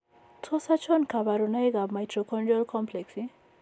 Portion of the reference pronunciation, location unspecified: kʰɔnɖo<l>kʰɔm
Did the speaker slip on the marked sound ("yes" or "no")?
no